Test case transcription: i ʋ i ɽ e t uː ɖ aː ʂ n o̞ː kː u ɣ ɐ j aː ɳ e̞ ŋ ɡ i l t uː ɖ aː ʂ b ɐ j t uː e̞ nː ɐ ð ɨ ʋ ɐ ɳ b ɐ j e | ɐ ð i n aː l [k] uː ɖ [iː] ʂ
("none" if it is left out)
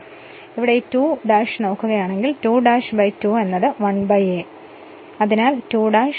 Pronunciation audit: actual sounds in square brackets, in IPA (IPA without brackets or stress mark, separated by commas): t, aː